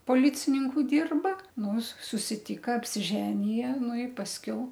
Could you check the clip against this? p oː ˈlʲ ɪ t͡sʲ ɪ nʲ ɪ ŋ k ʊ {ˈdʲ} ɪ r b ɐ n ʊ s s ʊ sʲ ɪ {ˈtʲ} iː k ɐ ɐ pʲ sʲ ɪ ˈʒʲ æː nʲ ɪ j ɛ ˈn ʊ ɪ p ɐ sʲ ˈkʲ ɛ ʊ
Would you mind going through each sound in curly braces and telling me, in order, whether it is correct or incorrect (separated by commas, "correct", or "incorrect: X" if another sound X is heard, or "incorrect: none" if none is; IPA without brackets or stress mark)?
correct, correct